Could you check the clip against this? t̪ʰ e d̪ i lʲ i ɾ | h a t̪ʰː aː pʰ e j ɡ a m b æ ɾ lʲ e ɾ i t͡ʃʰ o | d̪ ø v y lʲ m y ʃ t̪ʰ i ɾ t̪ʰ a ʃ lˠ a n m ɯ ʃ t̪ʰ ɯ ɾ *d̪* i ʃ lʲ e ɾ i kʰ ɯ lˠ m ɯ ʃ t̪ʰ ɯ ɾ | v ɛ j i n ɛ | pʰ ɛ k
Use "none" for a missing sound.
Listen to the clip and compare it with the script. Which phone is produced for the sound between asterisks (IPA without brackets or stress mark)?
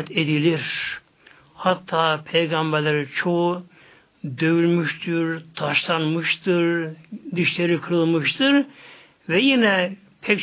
d̪